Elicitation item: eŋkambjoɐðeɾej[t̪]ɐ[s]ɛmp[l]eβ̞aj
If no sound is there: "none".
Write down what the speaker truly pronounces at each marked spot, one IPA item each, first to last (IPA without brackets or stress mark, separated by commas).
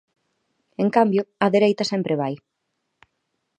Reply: t̪, s, ɾ